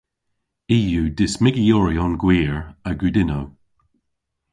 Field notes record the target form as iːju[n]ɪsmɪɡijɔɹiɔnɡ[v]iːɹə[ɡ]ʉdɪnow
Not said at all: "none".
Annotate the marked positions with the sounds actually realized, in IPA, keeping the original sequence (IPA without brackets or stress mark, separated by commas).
d, w, ɡ